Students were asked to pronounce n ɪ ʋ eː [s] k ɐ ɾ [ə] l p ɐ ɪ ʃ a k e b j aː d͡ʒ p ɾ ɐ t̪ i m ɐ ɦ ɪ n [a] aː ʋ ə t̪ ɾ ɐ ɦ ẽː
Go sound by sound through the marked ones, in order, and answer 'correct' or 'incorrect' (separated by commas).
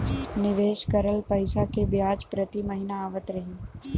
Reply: incorrect, correct, correct